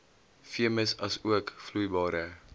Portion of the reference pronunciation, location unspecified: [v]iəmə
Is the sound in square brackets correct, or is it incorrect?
incorrect